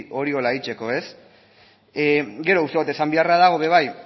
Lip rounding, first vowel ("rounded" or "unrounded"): rounded